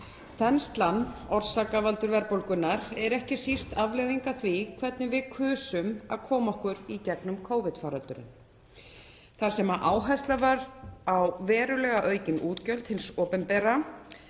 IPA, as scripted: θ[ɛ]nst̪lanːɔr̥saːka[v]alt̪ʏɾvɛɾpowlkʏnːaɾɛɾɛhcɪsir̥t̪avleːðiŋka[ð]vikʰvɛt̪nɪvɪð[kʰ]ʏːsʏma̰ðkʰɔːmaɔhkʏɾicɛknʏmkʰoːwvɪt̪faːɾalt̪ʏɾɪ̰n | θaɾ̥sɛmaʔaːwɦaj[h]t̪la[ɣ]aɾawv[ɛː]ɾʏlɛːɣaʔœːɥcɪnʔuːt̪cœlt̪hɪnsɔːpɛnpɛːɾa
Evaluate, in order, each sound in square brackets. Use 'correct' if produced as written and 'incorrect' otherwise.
correct, correct, incorrect, correct, incorrect, incorrect, correct

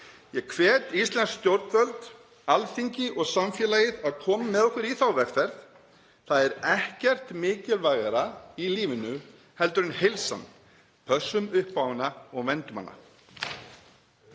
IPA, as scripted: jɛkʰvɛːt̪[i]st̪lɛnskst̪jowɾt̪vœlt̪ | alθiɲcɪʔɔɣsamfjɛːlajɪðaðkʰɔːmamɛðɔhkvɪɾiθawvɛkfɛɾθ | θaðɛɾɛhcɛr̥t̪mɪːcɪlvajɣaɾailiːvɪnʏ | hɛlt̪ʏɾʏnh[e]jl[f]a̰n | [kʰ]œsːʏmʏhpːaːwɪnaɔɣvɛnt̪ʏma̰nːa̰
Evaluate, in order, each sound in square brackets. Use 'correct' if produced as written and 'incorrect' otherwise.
correct, correct, incorrect, incorrect

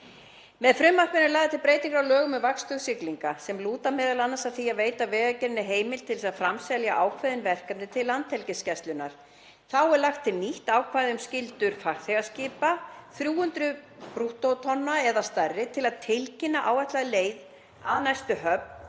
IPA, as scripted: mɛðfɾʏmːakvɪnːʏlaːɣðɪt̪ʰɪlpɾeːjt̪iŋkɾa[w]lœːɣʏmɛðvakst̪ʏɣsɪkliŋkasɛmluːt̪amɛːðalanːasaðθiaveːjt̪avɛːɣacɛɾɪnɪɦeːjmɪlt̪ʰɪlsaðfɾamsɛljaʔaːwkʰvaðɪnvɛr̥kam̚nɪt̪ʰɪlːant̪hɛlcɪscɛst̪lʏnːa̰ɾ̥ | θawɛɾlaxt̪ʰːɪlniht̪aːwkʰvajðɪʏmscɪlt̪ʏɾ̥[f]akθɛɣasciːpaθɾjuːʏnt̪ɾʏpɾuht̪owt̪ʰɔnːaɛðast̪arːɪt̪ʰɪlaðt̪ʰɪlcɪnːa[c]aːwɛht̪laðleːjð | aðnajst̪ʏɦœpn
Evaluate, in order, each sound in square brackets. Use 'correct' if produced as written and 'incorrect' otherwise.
correct, correct, incorrect

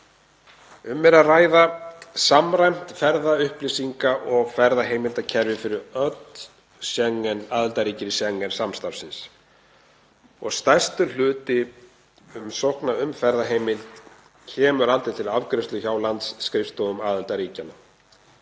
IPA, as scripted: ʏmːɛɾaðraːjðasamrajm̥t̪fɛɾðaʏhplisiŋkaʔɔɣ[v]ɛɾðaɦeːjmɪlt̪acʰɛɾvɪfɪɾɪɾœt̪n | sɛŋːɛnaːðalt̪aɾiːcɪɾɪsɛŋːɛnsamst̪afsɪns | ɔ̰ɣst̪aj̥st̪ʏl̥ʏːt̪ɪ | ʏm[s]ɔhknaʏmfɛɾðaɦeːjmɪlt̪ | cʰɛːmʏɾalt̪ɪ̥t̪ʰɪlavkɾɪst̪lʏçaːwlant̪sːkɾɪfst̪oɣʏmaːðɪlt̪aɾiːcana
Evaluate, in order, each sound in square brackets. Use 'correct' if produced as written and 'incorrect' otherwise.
incorrect, correct

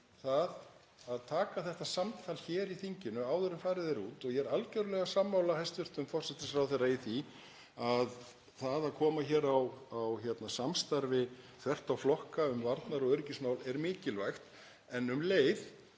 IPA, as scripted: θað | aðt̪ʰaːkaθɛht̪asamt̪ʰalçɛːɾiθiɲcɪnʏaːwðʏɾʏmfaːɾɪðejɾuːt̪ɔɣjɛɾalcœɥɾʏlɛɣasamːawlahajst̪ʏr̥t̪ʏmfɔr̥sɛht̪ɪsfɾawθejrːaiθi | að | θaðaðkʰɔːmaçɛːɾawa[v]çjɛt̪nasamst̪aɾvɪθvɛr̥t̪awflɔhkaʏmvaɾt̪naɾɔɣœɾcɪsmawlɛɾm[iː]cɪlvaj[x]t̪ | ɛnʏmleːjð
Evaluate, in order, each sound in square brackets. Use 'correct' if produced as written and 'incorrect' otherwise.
incorrect, incorrect, correct

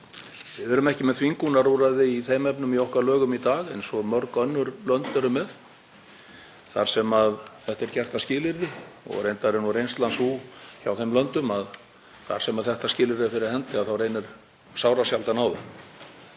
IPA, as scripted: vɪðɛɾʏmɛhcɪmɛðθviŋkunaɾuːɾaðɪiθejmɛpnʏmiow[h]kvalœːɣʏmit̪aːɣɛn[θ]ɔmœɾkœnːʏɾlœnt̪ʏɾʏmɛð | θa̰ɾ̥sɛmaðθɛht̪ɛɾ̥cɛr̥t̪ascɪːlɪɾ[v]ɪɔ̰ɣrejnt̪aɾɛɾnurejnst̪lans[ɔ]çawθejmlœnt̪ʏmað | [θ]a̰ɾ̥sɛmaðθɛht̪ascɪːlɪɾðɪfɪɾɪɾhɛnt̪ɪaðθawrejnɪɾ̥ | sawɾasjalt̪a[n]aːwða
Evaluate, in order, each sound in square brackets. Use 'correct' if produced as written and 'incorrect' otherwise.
correct, incorrect, incorrect, incorrect, correct, correct

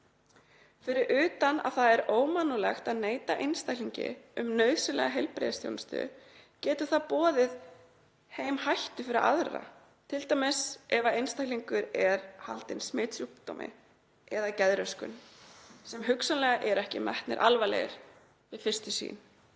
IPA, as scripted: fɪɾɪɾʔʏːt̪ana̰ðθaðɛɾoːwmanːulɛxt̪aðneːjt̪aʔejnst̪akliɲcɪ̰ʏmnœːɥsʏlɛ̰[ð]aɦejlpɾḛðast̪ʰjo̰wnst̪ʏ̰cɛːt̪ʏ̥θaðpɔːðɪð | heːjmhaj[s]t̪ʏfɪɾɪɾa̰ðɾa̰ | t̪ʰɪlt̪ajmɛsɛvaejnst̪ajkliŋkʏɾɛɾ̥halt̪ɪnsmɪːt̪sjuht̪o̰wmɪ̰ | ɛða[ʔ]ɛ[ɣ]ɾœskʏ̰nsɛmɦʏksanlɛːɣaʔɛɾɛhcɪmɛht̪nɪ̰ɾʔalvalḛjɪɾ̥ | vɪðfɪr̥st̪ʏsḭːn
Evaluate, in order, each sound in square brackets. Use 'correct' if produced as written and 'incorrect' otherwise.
incorrect, incorrect, incorrect, incorrect

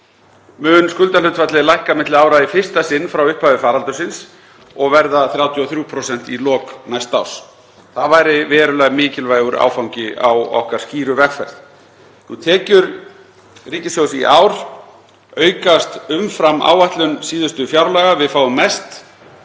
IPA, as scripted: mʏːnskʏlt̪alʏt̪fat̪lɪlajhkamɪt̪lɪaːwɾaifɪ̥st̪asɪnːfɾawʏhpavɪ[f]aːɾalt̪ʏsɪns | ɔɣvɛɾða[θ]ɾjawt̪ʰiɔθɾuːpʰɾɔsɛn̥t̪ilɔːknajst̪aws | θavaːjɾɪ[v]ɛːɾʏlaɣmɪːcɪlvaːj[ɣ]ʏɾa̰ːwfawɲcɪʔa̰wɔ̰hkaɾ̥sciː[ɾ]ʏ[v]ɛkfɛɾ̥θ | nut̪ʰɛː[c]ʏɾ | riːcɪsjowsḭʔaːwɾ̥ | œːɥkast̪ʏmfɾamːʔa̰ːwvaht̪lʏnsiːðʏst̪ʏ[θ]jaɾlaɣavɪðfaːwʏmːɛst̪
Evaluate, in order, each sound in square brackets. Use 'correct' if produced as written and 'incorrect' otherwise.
correct, correct, correct, correct, correct, correct, correct, incorrect

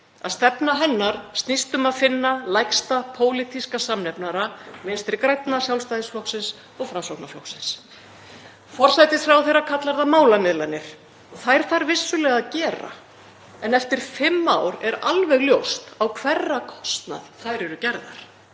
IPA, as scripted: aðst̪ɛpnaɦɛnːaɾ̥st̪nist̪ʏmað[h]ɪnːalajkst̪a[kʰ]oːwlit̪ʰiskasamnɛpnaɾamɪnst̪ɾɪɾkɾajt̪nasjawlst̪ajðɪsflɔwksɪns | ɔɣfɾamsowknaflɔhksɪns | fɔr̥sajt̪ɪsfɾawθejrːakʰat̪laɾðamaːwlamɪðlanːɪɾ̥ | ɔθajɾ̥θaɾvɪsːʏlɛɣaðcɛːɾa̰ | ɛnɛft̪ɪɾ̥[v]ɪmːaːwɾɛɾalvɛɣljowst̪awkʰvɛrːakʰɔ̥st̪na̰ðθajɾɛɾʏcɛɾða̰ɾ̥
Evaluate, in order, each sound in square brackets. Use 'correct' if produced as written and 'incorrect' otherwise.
incorrect, incorrect, incorrect

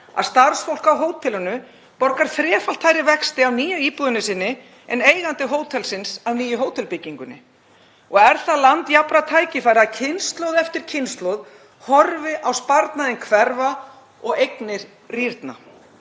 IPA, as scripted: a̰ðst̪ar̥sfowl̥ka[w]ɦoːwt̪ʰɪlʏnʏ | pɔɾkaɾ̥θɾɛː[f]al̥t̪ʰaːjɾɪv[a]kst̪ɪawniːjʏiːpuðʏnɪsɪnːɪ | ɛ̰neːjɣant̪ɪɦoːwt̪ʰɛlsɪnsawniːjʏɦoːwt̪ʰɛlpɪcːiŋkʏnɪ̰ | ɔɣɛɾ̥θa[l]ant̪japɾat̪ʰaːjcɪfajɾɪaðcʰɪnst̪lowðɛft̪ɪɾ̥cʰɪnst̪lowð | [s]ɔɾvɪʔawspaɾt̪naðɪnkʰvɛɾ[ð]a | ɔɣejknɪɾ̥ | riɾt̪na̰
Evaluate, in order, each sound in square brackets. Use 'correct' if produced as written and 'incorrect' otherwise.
correct, correct, incorrect, correct, incorrect, incorrect

